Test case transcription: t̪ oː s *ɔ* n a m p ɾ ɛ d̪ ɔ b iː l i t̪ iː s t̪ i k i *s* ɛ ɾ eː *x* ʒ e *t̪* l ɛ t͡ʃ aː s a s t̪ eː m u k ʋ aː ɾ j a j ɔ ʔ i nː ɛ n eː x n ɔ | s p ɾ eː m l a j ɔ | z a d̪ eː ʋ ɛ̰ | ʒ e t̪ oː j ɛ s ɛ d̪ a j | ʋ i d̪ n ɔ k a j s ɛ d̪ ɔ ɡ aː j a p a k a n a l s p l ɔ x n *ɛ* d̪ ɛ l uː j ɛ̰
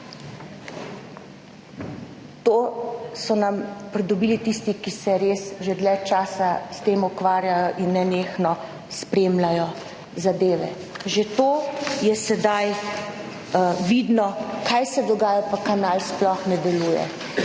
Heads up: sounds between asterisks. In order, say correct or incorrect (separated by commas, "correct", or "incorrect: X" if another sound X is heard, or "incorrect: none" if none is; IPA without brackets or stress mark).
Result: correct, correct, incorrect: s, incorrect: d̪, correct